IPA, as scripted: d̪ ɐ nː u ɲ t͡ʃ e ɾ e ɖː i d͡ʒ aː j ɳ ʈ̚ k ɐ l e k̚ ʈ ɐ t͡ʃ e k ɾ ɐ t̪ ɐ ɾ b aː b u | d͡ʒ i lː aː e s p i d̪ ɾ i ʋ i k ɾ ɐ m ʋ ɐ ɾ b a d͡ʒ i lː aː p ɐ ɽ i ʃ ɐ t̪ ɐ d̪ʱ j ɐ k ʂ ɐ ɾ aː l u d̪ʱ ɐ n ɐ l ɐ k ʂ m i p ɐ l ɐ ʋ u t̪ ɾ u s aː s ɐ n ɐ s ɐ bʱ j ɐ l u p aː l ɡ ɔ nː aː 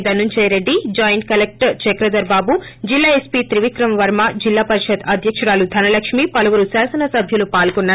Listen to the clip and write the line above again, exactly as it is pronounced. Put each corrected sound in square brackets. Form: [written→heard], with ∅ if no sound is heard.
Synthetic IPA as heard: d̪ ɐ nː u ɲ t͡ʃ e ɾ e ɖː i d͡ʒ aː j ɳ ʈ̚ k ɐ l e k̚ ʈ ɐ t͡ʃ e k ɾ ɐ [t̪→d̪] ɐ ɾ b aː b u | d͡ʒ i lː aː e s p i [d̪→t̪] ɾ i ʋ i k ɾ ɐ m ʋ ɐ ɾ [b→m] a d͡ʒ i lː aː p ɐ [ɽ→ɾ] i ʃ ɐ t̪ ɐ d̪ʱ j ɐ k ʂ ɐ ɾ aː l u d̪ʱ ɐ n ɐ l ɐ k ʂ m i p ɐ l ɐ ʋ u [t̪→∅] ɾ u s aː s ɐ n ɐ s ɐ bʱ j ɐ l u p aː l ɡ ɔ nː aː

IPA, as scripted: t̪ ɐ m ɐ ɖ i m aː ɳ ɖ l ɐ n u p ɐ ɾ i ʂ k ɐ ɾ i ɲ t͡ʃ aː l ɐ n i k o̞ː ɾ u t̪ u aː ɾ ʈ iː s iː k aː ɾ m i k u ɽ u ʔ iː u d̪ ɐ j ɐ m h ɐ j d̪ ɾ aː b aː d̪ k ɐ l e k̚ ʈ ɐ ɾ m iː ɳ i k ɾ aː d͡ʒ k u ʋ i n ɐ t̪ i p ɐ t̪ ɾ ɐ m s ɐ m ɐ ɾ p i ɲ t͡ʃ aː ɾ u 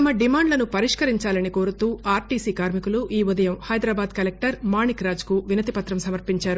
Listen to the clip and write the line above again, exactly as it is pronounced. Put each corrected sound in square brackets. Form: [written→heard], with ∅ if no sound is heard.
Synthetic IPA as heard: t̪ ɐ m ɐ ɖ i m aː ɳ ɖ l ɐ n u p ɐ ɾ i ʂ k ɐ ɾ i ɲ t͡ʃ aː l ɐ n i k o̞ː ɾ u t̪ [u→uː] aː ɾ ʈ iː s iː k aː ɾ m i k u [ɽ→l] u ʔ iː u d̪ ɐ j ɐ m h ɐ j d̪ ɾ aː b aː d̪ k ɐ l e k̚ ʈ ɐ ɾ m [iː→aː] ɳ i k ɾ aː d͡ʒ k u ʋ i n ɐ t̪ i p ɐ t̪ ɾ ɐ m s ɐ m ɐ ɾ p i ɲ t͡ʃ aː ɾ u

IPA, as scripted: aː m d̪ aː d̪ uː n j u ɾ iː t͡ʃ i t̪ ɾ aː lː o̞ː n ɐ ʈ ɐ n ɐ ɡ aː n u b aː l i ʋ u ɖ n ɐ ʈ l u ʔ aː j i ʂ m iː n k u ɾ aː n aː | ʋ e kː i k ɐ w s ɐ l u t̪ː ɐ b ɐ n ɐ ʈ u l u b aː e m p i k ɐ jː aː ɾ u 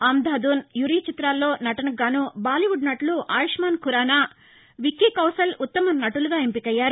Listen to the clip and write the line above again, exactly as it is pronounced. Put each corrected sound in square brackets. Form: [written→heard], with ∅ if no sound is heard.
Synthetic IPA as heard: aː m d̪ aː d̪ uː n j u ɾ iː t͡ʃ i t̪ ɾ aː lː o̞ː n ɐ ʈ ɐ n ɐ ɡ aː n u b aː l i ʋ u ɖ n ɐ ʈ l u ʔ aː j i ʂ m [iː→aː] n k u ɾ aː n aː | ʋ [e→i] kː i k ɐ w s ɐ l u t̪ː ɐ [b→m] ɐ n ɐ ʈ u l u [b→ɡ] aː e m p i k ɐ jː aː ɾ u

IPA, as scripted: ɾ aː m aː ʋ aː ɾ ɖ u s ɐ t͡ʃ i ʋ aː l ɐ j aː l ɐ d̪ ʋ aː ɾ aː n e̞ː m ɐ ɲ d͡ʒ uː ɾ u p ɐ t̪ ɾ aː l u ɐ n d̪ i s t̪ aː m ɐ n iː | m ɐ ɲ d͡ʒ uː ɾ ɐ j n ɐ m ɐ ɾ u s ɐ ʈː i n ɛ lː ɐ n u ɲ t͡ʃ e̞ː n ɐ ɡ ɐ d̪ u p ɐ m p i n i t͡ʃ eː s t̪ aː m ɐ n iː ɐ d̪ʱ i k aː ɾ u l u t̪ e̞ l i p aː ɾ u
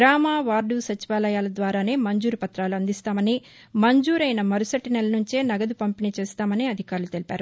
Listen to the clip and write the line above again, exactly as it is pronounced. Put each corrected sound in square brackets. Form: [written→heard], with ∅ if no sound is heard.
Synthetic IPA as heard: ɾ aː m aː ʋ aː ɾ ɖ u s ɐ t͡ʃ i ʋ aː l ɐ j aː l ɐ d̪ ʋ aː ɾ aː n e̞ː m ɐ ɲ d͡ʒ uː ɾ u p ɐ t̪ ɾ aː l u ɐ n d̪ i s t̪ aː m ɐ n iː | m ɐ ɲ d͡ʒ uː ɾ ɐ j n ɐ m ɐ ɾ u s ɐ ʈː i n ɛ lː ɐ n u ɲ t͡ʃ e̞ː n ɐ ɡ ɐ d̪ u p ɐ m p i n i t͡ʃ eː s t̪ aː m ɐ n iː ɐ d̪ʱ i k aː ɾ u l u t̪ e̞ l i p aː ɾ u

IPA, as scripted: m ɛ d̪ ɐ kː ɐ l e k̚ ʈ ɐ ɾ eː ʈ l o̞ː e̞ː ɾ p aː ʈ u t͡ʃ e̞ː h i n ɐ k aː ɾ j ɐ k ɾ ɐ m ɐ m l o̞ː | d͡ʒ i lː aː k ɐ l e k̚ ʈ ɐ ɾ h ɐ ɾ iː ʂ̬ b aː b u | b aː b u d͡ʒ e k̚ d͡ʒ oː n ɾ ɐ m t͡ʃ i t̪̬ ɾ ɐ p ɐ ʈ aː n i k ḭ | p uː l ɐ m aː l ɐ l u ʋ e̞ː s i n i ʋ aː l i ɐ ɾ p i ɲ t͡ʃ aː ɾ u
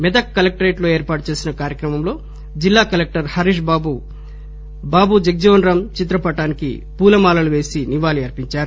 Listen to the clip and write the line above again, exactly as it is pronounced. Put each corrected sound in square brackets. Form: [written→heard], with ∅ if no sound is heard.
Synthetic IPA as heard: m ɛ d̪ ɐ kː ɐ l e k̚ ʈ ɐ ɾ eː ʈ l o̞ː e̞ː ɾ p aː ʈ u t͡ʃ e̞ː [h→s] i n ɐ k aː ɾ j ɐ k ɾ ɐ m ɐ m l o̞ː | d͡ʒ i lː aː k ɐ l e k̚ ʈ ɐ ɾ h ɐ ɾ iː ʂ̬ b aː b u | b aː b u d͡ʒ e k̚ d͡ʒ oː n ɾ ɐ m t͡ʃ i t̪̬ ɾ ɐ p ɐ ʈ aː n i k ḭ | p uː l ɐ m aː l ɐ l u ʋ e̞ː s i n i ʋ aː l i ɐ ɾ p i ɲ t͡ʃ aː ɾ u

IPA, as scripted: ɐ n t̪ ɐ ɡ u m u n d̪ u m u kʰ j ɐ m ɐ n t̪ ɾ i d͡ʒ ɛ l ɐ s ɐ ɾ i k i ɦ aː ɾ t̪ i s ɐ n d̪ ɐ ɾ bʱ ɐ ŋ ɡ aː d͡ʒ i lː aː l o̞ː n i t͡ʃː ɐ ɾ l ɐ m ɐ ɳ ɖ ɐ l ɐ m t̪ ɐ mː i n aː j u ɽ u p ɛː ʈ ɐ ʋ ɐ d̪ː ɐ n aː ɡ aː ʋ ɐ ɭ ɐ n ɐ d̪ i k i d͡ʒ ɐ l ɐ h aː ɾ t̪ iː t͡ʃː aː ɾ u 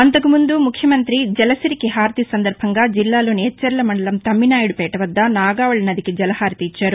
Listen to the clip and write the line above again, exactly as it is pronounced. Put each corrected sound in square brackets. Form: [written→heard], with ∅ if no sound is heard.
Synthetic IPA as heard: ɐ n t̪ ɐ [ɡ→k] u m u n d̪ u m u kʰ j ɐ m ɐ n t̪ ɾ i d͡ʒ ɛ l ɐ s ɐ ɾ i k i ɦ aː ɾ t̪ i s ɐ n d̪ ɐ ɾ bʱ ɐ ŋ ɡ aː d͡ʒ i lː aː l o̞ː n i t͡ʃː ɐ ɾ l ɐ m ɐ ɳ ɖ ɐ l ɐ m t̪ ɐ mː i n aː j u ɽ u p ɛː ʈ ɐ ʋ ɐ d̪ː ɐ n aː ɡ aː ʋ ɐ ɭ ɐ n ɐ d̪ i k i d͡ʒ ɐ l ɐ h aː ɾ t̪ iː t͡ʃː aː ɾ u

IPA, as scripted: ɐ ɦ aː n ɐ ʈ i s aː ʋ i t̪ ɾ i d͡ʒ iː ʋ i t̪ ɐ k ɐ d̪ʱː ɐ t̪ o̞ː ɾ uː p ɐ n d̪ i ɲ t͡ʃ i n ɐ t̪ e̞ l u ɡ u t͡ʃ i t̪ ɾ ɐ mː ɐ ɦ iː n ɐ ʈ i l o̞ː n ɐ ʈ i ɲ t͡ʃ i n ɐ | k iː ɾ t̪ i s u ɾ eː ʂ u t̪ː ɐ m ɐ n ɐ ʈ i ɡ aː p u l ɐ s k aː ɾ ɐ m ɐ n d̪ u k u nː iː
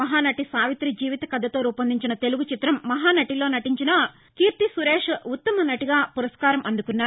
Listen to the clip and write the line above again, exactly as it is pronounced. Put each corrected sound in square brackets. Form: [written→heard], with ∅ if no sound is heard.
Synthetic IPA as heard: ɐ ɦ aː n ɐ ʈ i s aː ʋ i t̪ ɾ i d͡ʒ iː ʋ i t̪ ɐ k ɐ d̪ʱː ɐ t̪ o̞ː ɾ uː p ɐ n d̪ i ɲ t͡ʃ i n ɐ t̪ e̞ l u ɡ u t͡ʃ i t̪ ɾ ɐ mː ɐ ɦ [iː→aː] n ɐ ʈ i l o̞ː n ɐ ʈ i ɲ t͡ʃ i n ɐ | k iː ɾ t̪ i s u ɾ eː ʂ u t̪ː ɐ m ɐ n ɐ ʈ i ɡ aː p u [l→ɾ] ɐ s k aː ɾ ɐ m ɐ n d̪ u k u nː [iː→aː]

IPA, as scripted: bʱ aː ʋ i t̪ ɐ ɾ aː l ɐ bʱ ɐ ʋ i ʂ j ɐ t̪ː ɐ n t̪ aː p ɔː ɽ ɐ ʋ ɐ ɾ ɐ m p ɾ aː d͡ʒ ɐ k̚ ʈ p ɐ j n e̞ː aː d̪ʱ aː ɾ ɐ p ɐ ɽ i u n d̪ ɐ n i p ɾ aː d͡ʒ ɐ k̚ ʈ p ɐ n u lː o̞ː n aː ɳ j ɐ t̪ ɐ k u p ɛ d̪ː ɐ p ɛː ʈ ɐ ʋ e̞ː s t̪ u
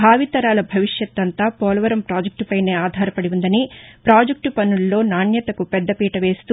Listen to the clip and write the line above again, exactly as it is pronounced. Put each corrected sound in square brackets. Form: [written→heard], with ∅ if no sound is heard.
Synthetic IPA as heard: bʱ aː ʋ i t̪ ɐ ɾ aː l ɐ bʱ ɐ ʋ i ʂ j ɐ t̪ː ɐ n t̪ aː p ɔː [ɽ→l] ɐ ʋ ɐ ɾ ɐ m p ɾ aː d͡ʒ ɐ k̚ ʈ p ɐ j n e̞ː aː d̪ʱ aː ɾ ɐ p ɐ ɽ i u n d̪ ɐ n i p ɾ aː d͡ʒ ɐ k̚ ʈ p ɐ n u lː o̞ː n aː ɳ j ɐ t̪ ɐ k u p ɛ d̪ː ɐ p [ɛː→iː] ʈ ɐ ʋ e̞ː s t̪ u

